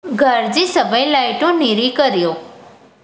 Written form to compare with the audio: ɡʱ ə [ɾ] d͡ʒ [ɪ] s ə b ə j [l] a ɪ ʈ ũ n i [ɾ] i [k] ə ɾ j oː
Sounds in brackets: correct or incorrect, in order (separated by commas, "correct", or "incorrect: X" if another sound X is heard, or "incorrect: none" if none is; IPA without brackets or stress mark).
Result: correct, incorrect: i, correct, correct, correct